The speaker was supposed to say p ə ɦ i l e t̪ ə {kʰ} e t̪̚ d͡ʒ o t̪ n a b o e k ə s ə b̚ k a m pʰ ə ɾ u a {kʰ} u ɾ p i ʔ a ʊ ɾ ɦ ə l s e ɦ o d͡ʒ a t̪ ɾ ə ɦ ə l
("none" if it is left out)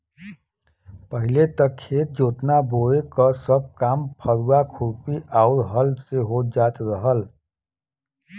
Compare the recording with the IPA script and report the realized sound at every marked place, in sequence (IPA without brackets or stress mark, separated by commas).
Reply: kʰ, kʰ